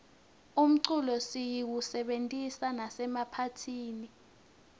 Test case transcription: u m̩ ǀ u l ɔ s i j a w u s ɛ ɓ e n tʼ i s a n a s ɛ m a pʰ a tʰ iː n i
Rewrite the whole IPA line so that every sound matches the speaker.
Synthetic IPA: u m̩ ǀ u l ɔ s i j i w u s ɛ ɓ e n tʼ i s a n a s ɛ m a pʰ a tʰ iː n i